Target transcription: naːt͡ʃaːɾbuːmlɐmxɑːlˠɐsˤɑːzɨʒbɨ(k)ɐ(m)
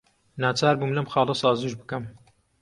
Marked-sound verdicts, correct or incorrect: correct, correct

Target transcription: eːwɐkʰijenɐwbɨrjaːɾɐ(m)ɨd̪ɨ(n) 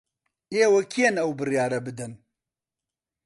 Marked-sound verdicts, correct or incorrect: incorrect: b, correct

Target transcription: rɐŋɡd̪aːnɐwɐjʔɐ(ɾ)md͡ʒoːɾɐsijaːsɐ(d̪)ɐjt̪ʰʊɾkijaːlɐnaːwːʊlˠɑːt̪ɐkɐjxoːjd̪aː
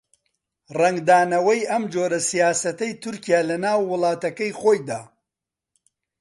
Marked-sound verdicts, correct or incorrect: incorrect: none, incorrect: t̪

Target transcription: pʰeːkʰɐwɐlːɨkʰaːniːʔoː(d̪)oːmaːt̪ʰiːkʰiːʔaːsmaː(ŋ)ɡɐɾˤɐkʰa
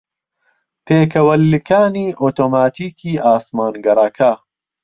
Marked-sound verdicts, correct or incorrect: incorrect: t̪, incorrect: n

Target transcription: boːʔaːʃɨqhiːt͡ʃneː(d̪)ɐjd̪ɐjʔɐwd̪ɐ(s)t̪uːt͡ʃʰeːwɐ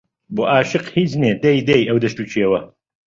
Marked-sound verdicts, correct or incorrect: correct, incorrect: ʃ

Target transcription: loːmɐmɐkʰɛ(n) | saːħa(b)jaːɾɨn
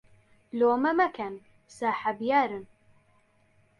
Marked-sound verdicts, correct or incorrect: correct, correct

